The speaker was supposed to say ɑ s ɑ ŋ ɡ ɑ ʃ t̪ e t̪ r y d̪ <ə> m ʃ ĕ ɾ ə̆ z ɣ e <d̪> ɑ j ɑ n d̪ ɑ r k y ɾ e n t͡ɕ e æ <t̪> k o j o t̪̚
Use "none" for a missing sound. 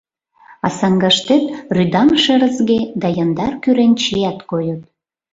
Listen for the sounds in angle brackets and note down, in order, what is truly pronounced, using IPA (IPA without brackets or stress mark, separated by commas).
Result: ɑ, d̪, t̪